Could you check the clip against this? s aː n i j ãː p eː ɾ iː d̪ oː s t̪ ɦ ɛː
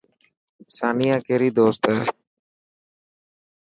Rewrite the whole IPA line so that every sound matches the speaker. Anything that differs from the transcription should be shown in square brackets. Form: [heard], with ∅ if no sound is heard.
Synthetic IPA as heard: s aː n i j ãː [k] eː ɾ iː d̪ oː s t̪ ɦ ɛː